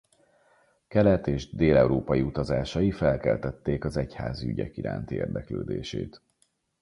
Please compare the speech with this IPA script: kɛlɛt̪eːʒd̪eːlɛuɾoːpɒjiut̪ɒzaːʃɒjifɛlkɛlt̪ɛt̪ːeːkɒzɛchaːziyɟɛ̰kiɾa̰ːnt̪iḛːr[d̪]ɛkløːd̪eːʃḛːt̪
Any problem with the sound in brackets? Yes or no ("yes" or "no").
no